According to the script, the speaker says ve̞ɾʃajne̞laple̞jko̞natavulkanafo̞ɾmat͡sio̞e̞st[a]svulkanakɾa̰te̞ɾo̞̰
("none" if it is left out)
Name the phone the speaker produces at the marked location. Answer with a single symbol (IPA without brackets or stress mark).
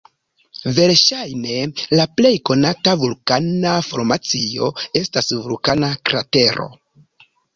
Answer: a